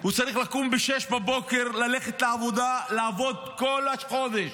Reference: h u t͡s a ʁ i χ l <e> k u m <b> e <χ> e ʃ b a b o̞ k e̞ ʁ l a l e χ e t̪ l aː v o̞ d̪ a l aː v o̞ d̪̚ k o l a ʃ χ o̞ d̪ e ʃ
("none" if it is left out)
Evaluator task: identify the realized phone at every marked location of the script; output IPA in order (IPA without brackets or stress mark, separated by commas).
a, b, ʃ